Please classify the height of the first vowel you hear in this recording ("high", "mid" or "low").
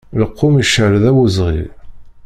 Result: mid